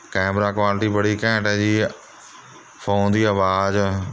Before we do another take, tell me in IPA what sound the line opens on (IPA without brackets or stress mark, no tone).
k